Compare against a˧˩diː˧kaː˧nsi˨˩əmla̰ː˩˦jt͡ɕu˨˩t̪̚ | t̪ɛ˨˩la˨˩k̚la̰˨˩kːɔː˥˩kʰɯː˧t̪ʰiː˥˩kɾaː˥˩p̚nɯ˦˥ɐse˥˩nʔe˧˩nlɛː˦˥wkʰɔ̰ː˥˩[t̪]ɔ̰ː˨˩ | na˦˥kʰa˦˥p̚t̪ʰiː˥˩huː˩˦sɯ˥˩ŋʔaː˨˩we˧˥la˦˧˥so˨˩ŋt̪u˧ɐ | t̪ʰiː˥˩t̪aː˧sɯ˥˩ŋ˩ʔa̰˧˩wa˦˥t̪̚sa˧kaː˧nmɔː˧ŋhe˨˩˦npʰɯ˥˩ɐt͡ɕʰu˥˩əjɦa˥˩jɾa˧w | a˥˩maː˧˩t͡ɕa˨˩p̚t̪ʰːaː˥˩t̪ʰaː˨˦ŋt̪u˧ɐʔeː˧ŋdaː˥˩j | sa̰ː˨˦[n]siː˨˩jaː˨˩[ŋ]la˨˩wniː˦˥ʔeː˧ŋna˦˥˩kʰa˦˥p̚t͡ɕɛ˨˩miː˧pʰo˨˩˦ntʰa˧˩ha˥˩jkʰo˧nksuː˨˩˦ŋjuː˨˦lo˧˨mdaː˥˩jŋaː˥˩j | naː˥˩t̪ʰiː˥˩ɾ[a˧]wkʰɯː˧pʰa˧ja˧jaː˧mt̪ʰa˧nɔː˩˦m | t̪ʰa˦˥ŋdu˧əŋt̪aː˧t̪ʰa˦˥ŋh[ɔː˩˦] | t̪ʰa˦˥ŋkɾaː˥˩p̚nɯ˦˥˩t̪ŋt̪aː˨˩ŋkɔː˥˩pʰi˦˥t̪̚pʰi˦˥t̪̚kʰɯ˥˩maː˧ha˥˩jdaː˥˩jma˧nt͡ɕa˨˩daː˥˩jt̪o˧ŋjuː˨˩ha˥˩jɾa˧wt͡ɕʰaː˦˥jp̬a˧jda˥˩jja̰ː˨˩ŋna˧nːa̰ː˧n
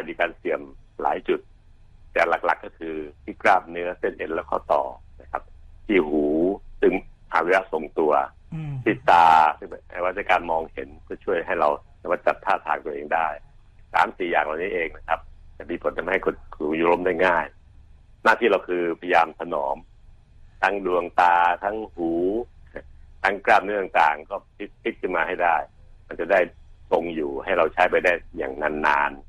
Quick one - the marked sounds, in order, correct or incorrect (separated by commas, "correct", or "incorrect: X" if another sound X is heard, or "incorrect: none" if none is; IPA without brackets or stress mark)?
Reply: correct, incorrect: m, correct, correct, incorrect: uː˩˦